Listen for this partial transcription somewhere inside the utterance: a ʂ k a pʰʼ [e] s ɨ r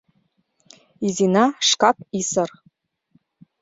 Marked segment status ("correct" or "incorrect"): incorrect